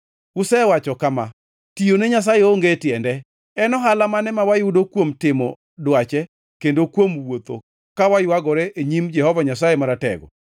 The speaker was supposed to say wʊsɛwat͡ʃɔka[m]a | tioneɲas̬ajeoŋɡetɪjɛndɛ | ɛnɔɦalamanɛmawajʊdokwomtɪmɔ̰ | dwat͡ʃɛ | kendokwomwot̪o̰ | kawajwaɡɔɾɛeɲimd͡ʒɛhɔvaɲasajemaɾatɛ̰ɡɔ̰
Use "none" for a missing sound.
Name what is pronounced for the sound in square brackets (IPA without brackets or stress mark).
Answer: m